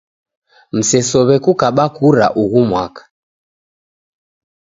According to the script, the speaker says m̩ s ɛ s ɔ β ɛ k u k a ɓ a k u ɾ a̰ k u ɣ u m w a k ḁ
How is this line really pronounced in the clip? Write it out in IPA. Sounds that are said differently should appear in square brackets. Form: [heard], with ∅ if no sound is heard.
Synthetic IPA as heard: m̩ s ɛ s ɔ β ɛ k u k a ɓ a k u ɾ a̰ [ʔ] u ɣ u m w a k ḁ